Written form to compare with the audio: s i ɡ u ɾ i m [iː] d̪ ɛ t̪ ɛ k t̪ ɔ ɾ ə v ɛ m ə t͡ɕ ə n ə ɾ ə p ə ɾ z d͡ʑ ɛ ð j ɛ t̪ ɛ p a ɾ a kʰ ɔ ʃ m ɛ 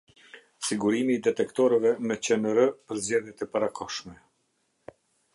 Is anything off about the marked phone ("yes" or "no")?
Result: no